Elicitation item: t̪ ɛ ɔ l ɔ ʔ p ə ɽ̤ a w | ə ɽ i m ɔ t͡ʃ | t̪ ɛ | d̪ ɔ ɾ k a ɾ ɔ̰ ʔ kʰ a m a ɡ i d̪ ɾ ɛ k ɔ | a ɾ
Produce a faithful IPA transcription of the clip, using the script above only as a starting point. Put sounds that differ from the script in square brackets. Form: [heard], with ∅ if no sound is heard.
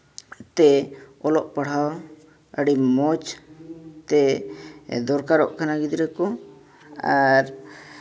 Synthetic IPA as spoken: t̪ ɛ ɔ l ɔ ʔ p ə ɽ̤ a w | ə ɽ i m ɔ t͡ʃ | t̪ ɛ | d̪ ɔ ɾ k a ɾ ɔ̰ ʔ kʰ a [n] a ɡ i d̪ ɾ ɛ k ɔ | a ɾ